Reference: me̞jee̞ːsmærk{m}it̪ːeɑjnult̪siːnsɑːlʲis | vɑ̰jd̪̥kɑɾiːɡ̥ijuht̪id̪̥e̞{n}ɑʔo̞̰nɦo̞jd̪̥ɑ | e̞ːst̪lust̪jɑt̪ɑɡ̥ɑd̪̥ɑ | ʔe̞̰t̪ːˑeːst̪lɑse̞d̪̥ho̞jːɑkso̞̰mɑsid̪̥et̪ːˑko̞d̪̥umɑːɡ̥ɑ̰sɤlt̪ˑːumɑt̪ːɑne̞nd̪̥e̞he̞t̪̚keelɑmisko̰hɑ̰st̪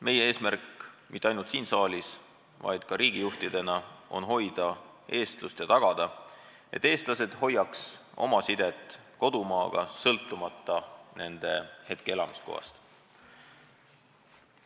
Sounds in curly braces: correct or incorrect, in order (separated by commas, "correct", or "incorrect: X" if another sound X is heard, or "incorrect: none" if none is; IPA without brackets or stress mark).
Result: correct, correct